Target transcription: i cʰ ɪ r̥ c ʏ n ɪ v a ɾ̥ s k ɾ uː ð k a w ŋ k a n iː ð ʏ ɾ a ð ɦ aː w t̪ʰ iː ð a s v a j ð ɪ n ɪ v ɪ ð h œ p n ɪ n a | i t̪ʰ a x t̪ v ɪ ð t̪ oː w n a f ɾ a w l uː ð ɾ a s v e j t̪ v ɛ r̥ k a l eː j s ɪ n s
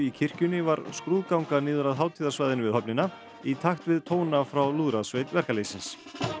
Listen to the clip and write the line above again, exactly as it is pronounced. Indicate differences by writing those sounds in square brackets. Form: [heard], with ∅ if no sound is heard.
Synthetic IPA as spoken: i cʰ ɪ r̥ c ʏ n ɪ v a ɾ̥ s k ɾ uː ð k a w ŋ k a n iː ð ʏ ɾ a ð ɦ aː w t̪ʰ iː ð a s v a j ð ɪ n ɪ v ɪ ð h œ p n ɪ n a | i t̪ʰ a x t̪ v ɪ ð [t̪ʰ] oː w n a f ɾ a w l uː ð ɾ a s v e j t̪ v ɛ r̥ k a l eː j s ɪ n s